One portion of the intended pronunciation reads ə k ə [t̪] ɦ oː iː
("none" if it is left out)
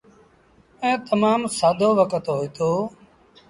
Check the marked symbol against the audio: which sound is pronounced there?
t̪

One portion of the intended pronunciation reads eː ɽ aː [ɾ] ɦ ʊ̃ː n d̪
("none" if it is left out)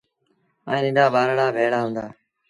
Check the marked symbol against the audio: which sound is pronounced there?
none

